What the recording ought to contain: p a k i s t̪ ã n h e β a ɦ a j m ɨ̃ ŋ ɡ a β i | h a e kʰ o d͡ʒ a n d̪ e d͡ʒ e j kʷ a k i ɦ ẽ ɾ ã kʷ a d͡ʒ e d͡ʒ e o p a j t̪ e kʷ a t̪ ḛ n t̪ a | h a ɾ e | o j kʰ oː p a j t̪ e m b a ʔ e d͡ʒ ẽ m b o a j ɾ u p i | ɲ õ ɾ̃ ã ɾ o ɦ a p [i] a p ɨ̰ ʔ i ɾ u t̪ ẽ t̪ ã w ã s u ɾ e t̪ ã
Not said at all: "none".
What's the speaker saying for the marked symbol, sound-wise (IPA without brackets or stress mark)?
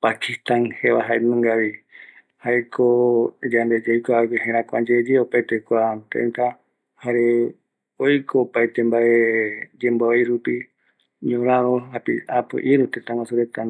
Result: i